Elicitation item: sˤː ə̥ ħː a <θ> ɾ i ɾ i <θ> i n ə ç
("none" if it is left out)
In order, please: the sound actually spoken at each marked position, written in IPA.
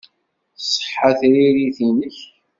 θ, θ

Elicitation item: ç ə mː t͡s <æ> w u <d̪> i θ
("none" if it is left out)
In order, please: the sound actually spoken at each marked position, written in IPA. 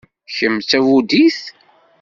æ, d̪

